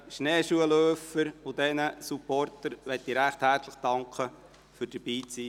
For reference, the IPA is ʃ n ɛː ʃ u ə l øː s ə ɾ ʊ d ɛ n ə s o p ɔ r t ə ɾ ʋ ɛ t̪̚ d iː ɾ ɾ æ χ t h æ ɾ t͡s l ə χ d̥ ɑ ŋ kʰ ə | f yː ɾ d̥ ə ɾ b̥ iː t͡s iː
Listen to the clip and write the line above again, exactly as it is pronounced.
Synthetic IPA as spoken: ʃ n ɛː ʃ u ə l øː f ə ɾ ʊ d ɛ n ə s u p ɔ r t ə ɾ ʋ ɛ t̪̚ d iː ɾ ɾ æ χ t h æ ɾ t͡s l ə χ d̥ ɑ ŋ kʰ ə | f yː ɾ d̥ ə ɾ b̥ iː t͡s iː